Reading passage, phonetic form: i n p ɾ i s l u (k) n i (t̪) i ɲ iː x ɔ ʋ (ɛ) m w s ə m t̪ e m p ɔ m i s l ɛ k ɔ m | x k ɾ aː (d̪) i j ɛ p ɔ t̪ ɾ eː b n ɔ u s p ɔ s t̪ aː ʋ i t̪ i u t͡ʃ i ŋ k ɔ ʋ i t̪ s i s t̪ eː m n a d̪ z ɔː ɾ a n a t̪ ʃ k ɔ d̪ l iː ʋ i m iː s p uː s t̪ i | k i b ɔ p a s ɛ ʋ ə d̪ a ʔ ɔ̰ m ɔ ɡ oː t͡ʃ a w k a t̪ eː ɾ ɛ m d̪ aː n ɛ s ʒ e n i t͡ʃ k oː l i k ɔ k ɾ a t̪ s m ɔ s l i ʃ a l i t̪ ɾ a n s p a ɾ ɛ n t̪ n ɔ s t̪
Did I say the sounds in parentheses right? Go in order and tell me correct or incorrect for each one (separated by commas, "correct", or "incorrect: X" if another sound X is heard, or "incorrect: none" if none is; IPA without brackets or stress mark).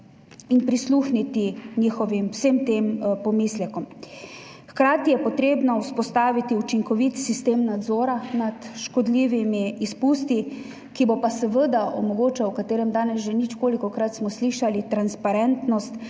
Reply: incorrect: x, correct, incorrect: i, incorrect: t̪